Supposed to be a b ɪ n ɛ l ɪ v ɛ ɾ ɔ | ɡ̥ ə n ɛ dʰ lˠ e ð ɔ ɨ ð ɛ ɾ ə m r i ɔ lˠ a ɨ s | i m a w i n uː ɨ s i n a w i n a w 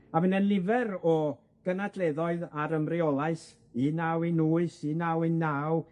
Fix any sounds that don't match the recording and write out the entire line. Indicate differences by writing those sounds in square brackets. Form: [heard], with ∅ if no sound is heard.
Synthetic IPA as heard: a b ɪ n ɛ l ɪ v ɛ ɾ ɔ | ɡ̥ ə n [a] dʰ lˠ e ð ɔ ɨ ð [a] ɾ ə m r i ɔ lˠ a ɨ s | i [n] a w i n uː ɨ s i n a w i n a w